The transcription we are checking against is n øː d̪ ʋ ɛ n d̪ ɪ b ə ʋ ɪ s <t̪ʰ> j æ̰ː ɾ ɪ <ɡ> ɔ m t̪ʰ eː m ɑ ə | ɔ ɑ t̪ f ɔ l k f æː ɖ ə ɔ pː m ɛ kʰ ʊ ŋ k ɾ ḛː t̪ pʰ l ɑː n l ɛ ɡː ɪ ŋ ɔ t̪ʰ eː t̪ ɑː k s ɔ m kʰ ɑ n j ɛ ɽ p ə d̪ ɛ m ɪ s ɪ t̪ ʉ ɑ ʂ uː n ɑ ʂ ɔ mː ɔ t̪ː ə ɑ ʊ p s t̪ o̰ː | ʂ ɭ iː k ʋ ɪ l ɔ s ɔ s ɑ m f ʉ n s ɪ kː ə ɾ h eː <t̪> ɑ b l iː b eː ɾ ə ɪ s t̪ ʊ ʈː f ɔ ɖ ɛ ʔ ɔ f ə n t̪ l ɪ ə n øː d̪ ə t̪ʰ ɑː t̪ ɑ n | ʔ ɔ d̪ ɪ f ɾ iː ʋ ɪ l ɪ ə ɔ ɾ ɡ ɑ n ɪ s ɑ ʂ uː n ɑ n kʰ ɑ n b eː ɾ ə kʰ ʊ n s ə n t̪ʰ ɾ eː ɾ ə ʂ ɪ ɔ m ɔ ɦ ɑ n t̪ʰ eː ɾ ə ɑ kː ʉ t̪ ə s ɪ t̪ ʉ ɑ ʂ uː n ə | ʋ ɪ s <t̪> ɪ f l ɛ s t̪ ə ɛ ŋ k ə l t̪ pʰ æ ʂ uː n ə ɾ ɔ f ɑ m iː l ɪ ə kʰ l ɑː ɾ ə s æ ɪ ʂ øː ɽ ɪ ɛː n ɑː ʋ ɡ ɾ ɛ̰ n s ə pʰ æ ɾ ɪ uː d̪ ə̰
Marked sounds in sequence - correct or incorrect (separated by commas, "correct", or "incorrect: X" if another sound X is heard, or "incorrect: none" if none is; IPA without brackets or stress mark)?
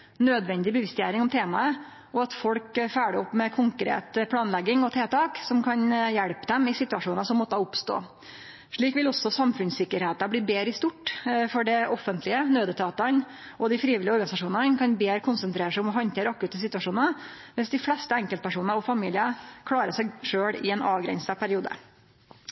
incorrect: t̪, incorrect: ŋ, correct, incorrect: d̪